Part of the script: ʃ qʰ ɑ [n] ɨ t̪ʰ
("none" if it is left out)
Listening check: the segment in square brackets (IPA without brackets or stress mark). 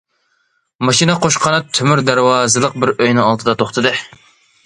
n